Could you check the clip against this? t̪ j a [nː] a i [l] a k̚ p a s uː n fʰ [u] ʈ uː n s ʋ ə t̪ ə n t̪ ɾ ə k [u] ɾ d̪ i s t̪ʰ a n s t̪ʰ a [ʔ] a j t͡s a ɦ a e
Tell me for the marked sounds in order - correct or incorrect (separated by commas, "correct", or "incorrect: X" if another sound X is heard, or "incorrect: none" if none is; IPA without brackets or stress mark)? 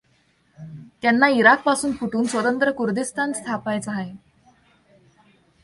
correct, incorrect: ɾ, correct, correct, incorrect: p